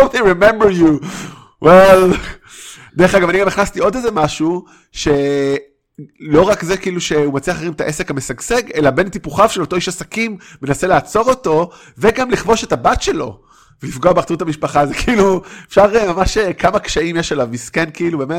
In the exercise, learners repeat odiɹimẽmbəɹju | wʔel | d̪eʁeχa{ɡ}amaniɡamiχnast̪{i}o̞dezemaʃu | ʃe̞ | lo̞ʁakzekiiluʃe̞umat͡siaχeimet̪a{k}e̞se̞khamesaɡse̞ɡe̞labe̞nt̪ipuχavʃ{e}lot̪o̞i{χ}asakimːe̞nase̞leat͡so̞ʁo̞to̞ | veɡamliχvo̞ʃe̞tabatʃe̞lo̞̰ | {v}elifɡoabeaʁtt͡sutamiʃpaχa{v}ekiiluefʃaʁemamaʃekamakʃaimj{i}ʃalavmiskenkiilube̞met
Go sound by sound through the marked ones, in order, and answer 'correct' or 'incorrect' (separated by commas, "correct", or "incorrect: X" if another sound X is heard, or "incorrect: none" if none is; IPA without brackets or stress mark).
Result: correct, correct, incorrect: ʔ, correct, incorrect: ʃ, correct, incorrect: z, incorrect: e